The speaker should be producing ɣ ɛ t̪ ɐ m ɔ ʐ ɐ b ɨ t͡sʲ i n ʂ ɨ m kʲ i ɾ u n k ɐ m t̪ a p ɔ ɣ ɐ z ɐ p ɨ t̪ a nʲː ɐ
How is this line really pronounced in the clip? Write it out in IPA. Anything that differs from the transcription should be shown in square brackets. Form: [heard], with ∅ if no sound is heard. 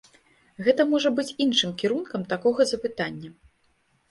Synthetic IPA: ɣ ɛ t̪ ɐ m ɔ ʐ ɐ b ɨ t͡sʲ i n ʂ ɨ m kʲ i ɾ u n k ɐ m t̪ a [k] ɔ ɣ ɐ z ɐ p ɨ t̪ a nʲː ɐ

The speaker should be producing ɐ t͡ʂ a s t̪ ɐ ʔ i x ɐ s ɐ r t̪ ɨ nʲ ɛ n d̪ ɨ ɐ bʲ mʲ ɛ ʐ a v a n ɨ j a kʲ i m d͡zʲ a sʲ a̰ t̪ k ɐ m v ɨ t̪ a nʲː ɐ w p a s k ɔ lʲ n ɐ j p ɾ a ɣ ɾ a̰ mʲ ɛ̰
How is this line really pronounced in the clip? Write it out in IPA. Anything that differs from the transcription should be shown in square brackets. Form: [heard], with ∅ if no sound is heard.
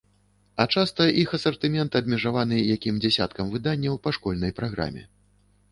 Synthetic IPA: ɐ t͡ʂ a s t̪ ɐ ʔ i x ɐ s ɐ r t̪ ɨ [mʲ] ɛ n [t̪] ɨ ɐ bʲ mʲ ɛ ʐ a v a n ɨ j a kʲ i m d͡zʲ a sʲ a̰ t̪ k ɐ m v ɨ [d̪] a nʲː ɐ w p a [ʂ] k ɔ lʲ n ɐ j p ɾ a ɣ ɾ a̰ mʲ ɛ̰

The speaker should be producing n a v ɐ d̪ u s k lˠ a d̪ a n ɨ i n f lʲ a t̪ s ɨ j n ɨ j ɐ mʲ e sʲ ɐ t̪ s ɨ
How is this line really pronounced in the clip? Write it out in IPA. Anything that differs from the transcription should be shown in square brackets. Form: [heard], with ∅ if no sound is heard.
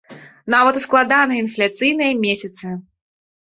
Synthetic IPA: n a v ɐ [t̪] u s k lˠ a d̪ a n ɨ i n f lʲ a t̪ s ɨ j n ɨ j ɐ mʲ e sʲ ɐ t̪ s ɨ

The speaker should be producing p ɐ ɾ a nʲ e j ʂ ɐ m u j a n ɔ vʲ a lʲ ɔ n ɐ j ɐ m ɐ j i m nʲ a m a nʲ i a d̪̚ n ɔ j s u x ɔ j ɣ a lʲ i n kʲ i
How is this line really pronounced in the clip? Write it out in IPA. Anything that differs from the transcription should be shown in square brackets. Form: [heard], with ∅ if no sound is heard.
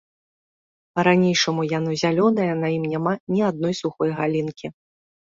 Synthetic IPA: p ɐ ɾ a nʲ e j ʂ ɐ m u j a n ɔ [zʲ] a lʲ ɔ n ɐ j ɐ [n] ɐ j i m nʲ a m a nʲ i a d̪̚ n ɔ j s u x ɔ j ɣ a lʲ i n kʲ i

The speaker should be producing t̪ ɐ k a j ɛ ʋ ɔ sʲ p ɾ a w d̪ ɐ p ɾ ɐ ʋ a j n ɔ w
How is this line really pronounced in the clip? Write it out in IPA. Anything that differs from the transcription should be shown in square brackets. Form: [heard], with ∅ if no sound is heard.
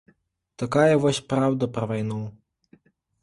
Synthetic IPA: t̪ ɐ k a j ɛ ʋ ɔ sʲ p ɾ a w d̪ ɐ p ɾ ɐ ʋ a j n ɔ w

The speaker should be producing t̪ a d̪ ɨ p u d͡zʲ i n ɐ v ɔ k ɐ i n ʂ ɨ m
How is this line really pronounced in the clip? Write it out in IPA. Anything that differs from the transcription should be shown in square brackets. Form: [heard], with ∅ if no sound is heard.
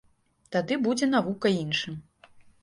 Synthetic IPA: t̪ a d̪ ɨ [b] u d͡zʲ [ɛ] n [a] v [u] k ɐ i n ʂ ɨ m

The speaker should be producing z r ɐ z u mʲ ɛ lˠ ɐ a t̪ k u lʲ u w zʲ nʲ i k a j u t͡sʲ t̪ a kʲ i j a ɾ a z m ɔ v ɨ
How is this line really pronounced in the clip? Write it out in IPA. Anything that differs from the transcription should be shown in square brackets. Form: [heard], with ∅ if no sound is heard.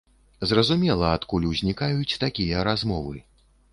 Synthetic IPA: z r ɐ z u mʲ ɛ lˠ ɐ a t̪ k u lʲ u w zʲ nʲ i k a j u t͡sʲ t̪ a kʲ i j [ɐ] ɾ a z m ɔ v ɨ

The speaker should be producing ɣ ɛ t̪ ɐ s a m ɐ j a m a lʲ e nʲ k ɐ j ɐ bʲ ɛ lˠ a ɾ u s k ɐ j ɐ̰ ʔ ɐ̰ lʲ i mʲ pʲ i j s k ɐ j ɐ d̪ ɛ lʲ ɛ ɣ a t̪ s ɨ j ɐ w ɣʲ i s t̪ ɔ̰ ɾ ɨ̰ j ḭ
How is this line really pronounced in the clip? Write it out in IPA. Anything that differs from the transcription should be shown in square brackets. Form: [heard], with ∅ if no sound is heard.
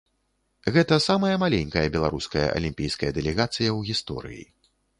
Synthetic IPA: ɣ ɛ t̪ ɐ s a m ɐ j [ɐ] m a lʲ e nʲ k ɐ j ɐ bʲ ɛ lˠ a ɾ u s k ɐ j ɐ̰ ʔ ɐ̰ lʲ i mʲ pʲ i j s k ɐ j ɐ d̪ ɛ lʲ ɛ ɣ a t̪ s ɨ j ɐ w ɣʲ i s t̪ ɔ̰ ɾ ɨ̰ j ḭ

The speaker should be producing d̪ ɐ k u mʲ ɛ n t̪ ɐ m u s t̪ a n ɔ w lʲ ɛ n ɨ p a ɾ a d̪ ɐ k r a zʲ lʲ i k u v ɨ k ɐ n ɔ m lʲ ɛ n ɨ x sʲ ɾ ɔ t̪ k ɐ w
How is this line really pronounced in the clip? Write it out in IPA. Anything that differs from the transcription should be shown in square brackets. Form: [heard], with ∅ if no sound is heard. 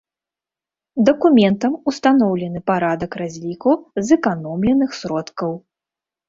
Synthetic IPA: d̪ ɐ k u mʲ ɛ n t̪ ɐ m u s t̪ a n ɔ w lʲ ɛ n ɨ p a ɾ a d̪ ɐ k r a zʲ lʲ i k u [z] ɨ k [a] n ɔ m lʲ ɛ n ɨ x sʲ ɾ ɔ t̪ k ɐ w

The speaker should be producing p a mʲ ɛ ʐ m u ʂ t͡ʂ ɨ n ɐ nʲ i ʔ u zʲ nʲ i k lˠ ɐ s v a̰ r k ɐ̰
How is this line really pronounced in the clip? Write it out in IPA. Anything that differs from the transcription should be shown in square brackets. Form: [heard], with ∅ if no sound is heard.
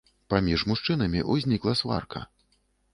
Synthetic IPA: p a mʲ [i] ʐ m u ʂ t͡ʂ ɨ n ɐ [mʲ] i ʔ u zʲ nʲ i k lˠ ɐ s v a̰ r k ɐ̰

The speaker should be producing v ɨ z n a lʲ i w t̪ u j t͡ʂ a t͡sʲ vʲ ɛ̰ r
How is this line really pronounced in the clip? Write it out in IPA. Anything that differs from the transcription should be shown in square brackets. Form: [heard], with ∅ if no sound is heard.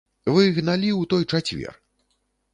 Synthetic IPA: v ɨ [ɣ] n a lʲ i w t̪ [ɔ] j t͡ʂ a t͡sʲ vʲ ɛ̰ r

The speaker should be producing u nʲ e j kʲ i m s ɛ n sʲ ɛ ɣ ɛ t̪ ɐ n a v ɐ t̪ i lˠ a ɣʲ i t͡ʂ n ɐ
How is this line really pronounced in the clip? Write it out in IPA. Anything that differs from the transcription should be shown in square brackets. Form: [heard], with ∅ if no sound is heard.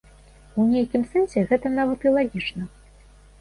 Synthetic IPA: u nʲ e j kʲ i m s ɛ n sʲ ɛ ɣ ɛ t̪ ɐ n a v ɐ t̪ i lˠ a ɣʲ i t͡ʂ n ɐ

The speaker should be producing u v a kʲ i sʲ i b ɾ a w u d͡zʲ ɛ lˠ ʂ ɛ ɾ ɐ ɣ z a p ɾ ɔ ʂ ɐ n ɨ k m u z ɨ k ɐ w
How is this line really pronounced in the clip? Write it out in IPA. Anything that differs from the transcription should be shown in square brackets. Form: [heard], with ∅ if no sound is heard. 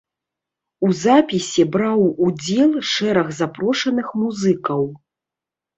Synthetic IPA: u [z] a [pʲ] i sʲ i b ɾ a w u d͡zʲ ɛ lˠ ʂ ɛ ɾ ɐ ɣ z a p ɾ ɔ ʂ ɐ n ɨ [x] m u z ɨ k ɐ w

